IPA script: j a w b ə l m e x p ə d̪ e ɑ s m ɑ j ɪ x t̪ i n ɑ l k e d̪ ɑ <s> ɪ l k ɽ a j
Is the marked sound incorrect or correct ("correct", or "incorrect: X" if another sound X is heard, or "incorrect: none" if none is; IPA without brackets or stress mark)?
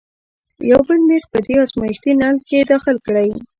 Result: incorrect: x